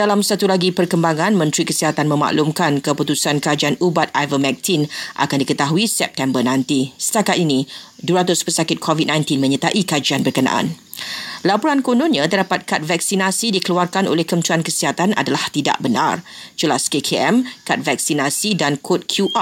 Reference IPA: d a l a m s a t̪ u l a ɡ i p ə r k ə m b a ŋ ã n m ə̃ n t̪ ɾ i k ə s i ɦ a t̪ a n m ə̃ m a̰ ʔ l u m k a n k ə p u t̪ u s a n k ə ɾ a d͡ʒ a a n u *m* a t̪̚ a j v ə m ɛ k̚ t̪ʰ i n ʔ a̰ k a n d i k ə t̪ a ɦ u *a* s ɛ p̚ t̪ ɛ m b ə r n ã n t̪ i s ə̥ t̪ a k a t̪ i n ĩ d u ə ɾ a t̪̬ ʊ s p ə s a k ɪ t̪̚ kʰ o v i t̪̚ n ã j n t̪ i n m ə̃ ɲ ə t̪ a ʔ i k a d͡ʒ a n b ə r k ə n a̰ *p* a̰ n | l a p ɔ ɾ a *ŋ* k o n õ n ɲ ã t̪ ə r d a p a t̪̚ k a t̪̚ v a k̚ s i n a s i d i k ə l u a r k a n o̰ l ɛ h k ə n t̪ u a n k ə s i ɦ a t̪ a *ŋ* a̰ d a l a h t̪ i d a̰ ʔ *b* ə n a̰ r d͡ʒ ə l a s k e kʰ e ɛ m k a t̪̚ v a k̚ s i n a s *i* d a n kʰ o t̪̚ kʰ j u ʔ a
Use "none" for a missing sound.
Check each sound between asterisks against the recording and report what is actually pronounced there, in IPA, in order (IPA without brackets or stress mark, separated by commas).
b, i, ʔ, n, n, b, i